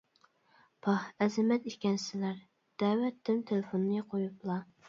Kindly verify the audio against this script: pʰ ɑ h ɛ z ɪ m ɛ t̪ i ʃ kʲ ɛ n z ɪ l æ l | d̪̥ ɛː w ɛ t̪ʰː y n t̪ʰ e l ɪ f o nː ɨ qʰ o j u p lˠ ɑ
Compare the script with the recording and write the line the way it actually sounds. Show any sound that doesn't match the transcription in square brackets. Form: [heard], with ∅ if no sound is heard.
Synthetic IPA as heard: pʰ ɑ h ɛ z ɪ m ɛ t̪ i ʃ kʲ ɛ n [s] ɪ l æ [ɾ] | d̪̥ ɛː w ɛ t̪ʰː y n t̪ʰ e l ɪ f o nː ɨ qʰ o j u p lˠ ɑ